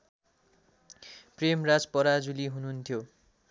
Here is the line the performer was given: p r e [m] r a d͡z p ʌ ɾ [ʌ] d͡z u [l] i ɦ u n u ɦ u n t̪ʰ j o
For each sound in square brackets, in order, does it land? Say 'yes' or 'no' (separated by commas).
yes, no, yes